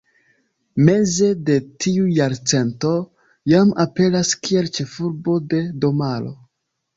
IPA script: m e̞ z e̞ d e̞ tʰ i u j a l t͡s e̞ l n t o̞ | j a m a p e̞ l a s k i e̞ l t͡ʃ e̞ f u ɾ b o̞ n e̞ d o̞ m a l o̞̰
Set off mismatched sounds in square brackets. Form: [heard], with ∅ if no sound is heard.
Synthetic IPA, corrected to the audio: m e̞ z e̞ d e̞ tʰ i u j a [ɾ] t͡s e̞ [∅] n t o̞ | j a m a p e̞ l a s k i e̞ l t͡ʃ e̞ f u ɾ b o̞ [d] e̞ d o̞ m a l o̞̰